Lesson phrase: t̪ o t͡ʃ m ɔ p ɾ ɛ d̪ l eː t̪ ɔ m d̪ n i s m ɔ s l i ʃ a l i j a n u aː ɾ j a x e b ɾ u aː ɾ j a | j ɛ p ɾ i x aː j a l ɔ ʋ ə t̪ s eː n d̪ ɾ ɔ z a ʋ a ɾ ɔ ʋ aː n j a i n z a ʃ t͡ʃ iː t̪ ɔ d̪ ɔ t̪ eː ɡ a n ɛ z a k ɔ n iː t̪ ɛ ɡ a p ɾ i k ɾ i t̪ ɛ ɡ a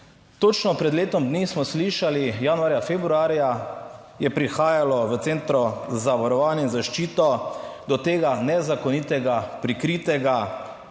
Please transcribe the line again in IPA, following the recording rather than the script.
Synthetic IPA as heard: t̪ o t͡ʃ n ɔ p ɾ ɛ d̪ l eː t̪ ɔ m d̪ n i s m ɔ s l i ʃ a l i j a n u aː ɾ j a f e b ɾ u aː ɾ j a | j ɛ p ɾ i x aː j a l ɔ ʋ ə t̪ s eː n t̪ ɾ ɔ z a ʋ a ɾ ɔ ʋ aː n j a i n z a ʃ t͡ʃ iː t̪ ɔ d̪ ɔ t̪ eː ɡ a n ɛ z a k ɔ n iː t̪ ɛ ɡ a p ɾ i k ɾ i t̪ ɛ ɡ a